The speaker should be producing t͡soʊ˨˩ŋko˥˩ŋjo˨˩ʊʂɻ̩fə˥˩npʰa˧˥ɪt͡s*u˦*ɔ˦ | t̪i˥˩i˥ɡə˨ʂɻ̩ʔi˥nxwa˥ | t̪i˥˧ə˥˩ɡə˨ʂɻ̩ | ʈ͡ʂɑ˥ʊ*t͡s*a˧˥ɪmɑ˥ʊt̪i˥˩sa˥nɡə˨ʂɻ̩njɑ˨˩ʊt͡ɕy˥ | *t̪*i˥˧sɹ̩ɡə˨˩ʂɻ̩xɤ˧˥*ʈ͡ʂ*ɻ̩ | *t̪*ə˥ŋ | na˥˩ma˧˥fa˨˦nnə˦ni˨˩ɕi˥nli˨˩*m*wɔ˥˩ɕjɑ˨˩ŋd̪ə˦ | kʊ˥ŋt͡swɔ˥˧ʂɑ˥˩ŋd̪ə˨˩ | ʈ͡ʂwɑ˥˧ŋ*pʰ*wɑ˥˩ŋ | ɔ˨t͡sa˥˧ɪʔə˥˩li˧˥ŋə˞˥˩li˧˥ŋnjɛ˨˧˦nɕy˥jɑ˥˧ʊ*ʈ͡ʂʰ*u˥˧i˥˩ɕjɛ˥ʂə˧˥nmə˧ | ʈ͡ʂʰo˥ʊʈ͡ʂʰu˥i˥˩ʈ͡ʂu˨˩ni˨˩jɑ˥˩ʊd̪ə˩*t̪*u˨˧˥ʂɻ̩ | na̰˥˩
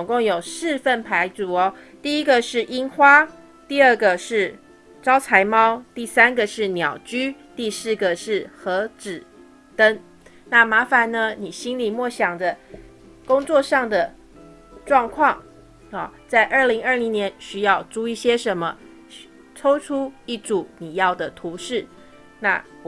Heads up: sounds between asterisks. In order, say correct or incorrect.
incorrect: u˨˩, incorrect: t͡sʰ, correct, correct, correct, correct, incorrect: kʰ, incorrect: ʈ͡ʂ, incorrect: t̪ʰ

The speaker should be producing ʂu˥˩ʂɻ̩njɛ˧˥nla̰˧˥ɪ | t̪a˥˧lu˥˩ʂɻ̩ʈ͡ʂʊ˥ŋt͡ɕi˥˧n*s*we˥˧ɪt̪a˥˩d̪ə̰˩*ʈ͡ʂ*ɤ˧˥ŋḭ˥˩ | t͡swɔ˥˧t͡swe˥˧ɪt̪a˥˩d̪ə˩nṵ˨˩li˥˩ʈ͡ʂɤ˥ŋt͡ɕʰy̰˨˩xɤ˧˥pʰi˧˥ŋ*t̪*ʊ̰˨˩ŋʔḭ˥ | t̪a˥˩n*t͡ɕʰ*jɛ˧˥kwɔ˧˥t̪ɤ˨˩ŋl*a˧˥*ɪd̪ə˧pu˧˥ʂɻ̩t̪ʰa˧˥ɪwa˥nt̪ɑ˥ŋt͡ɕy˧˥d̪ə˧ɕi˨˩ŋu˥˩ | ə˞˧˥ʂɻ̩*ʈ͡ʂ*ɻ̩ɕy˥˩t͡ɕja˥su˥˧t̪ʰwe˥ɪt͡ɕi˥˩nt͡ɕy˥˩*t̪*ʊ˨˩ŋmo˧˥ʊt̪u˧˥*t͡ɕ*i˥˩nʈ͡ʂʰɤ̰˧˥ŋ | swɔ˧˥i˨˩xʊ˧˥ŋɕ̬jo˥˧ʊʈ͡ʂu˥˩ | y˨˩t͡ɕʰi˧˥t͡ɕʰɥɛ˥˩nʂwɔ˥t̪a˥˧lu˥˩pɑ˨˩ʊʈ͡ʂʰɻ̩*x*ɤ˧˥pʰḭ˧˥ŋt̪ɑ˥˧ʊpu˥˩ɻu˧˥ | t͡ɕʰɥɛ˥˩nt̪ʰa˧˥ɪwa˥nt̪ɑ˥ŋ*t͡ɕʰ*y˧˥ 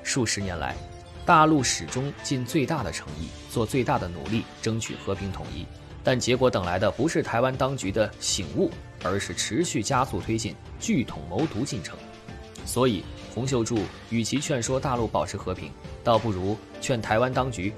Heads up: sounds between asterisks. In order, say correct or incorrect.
incorrect: t͡s, incorrect: ʈ͡ʂʰ, incorrect: t̪ʰ, incorrect: t͡ɕ, correct, incorrect: ʈ͡ʂʰ, incorrect: t̪ʰ, correct, correct, incorrect: t͡ɕ

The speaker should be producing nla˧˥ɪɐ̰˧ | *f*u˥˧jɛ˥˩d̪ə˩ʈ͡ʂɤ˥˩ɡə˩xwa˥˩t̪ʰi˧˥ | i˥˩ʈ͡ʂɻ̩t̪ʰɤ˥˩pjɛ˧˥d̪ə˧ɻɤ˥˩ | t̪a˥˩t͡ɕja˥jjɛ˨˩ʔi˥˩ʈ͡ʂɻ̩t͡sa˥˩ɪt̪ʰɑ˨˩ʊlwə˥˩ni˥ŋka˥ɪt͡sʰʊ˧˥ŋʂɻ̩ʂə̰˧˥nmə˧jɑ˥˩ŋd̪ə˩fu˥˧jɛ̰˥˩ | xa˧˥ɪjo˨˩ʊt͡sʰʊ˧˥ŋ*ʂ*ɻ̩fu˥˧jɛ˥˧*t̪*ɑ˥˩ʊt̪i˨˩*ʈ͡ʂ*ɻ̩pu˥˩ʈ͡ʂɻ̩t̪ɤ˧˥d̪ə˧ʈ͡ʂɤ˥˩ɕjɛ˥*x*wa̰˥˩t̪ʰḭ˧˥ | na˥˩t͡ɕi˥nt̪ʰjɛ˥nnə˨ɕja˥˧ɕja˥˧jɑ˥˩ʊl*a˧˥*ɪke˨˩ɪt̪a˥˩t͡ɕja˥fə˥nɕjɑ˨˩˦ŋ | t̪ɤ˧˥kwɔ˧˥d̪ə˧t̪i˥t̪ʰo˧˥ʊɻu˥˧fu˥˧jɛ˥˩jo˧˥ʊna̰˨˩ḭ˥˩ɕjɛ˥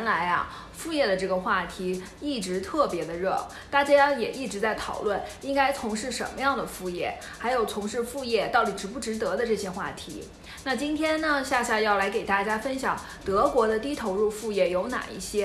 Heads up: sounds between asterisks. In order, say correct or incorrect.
correct, correct, correct, correct, correct, correct

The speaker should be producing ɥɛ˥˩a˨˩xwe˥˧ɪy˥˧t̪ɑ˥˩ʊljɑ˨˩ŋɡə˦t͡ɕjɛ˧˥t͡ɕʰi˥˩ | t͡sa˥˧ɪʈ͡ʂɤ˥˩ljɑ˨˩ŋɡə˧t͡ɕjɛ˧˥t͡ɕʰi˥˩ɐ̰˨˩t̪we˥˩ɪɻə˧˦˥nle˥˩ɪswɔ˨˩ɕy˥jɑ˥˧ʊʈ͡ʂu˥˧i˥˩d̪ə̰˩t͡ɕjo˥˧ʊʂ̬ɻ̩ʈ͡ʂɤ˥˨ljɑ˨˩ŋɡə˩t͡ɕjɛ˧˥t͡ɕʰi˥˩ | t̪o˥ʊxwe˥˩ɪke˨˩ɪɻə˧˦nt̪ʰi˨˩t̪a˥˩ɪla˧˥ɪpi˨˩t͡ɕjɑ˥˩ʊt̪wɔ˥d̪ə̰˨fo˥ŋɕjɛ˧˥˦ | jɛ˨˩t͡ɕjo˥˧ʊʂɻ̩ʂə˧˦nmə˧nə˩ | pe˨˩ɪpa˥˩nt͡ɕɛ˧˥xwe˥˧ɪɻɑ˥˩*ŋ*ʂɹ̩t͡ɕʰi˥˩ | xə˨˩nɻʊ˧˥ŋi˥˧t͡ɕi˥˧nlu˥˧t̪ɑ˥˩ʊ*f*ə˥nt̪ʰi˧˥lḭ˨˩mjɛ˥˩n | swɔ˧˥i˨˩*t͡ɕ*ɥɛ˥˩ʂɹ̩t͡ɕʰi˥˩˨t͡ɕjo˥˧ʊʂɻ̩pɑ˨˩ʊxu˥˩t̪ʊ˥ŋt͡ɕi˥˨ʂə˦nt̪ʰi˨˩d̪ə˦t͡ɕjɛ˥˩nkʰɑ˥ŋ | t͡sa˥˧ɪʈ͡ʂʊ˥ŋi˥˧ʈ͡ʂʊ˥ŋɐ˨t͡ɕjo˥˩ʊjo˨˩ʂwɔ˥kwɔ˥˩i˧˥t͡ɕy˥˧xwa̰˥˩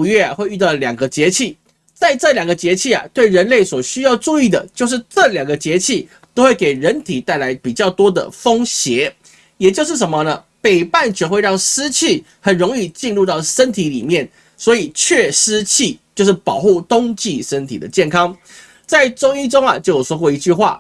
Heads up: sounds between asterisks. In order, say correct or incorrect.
correct, incorrect: ʂ, incorrect: t͡ɕʰ

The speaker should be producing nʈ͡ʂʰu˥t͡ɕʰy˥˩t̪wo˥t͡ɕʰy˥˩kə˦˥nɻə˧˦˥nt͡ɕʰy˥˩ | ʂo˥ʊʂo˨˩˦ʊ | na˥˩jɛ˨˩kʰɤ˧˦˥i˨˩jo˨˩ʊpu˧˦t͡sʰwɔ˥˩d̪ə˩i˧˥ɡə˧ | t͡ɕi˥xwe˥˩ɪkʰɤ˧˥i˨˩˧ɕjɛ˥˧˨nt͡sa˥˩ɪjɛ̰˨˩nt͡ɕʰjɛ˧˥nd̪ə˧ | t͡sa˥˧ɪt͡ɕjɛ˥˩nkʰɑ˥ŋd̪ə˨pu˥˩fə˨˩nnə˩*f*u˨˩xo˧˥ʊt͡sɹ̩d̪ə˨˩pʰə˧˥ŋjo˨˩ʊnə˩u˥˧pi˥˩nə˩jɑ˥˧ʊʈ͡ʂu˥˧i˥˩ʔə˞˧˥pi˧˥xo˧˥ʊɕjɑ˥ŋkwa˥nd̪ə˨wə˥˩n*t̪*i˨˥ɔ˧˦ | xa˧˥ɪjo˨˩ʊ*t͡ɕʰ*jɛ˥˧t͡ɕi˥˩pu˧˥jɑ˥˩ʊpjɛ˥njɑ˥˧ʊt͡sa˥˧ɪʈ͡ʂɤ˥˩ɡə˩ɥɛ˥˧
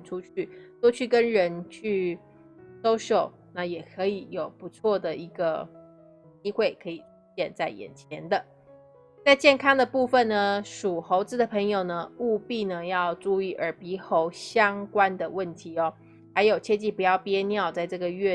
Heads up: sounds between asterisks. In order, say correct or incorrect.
incorrect: ʂ, incorrect: t̪ʰ, correct

